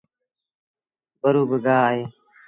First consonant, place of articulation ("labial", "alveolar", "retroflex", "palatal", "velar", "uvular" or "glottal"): labial